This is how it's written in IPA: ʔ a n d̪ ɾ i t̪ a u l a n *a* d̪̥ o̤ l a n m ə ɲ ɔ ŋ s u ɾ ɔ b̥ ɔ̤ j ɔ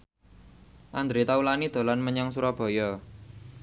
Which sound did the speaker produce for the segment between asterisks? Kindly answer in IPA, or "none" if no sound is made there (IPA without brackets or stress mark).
i